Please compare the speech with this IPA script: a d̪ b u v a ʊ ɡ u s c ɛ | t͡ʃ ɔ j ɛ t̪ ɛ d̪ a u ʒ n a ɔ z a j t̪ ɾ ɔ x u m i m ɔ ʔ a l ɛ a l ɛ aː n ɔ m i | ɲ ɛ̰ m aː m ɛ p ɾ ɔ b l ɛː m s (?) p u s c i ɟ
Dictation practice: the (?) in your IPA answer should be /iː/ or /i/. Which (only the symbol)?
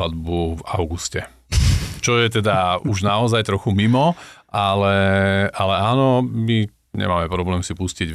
i